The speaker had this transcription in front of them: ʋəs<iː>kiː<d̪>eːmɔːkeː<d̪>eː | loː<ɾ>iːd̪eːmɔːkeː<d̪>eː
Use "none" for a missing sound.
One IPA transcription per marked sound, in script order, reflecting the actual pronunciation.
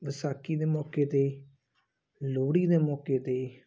aː, d̪, t̪, ɽ, t̪

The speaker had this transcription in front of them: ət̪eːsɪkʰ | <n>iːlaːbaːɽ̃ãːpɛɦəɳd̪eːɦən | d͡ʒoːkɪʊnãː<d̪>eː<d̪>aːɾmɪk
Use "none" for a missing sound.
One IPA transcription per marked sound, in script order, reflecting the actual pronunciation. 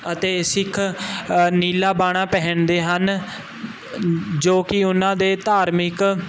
n, d̪, t̪

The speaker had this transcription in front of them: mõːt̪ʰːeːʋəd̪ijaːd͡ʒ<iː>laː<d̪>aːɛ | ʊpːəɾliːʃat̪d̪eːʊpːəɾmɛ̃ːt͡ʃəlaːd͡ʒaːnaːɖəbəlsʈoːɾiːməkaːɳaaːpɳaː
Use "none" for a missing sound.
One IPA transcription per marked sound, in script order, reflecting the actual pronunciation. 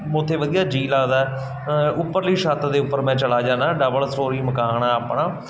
iː, d̪

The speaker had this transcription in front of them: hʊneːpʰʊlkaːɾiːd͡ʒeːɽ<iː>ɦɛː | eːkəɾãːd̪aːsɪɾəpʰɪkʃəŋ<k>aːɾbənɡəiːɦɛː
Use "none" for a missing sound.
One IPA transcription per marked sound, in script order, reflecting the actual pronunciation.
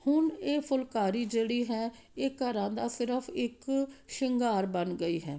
iː, ɡ

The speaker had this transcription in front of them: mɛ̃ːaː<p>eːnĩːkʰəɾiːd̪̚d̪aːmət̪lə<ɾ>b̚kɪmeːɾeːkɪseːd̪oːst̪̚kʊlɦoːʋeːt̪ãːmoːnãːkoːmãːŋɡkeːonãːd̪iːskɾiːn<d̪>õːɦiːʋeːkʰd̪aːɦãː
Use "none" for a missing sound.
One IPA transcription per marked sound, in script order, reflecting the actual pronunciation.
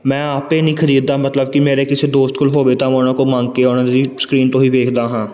p, none, t̪

